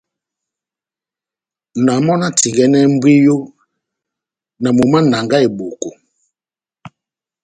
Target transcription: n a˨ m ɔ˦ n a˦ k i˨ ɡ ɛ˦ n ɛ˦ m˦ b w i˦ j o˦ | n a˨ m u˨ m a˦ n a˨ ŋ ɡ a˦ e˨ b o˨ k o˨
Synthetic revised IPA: n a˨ m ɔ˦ n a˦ t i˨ ɡ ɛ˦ n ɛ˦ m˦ b w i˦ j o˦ | n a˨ m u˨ m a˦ n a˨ ŋ ɡ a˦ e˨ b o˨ k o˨